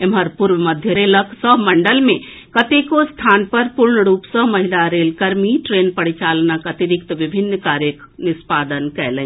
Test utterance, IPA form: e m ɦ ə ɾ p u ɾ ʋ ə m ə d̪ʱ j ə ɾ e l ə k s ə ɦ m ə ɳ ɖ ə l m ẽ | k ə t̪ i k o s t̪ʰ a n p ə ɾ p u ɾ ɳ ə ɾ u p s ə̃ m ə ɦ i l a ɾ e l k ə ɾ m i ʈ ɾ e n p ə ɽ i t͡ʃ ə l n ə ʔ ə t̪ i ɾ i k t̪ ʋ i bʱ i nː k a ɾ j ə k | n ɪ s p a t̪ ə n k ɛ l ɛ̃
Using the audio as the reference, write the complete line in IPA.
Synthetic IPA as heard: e m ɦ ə ɾ p u ɾ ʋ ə m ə d̪ʱ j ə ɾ e l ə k s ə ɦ m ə ɳ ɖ ə l m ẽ | k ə t̪ e k o s t̪ʰ a n p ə ɾ p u ɾ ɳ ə ɾ u p s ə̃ m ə ɦ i l a ɾ e l k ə ɾ m i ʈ ɾ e n p ə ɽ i t͡ʃ a l n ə k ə t̪ i ɾ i k t̪ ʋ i bʱ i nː k a ɾ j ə k | n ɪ s p a d̪ ə n k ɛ l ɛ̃